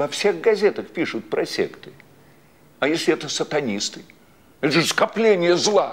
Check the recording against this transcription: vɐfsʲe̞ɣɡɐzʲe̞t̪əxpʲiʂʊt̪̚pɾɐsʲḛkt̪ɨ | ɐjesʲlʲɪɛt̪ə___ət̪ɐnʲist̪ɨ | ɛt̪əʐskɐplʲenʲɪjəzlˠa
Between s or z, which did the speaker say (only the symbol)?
s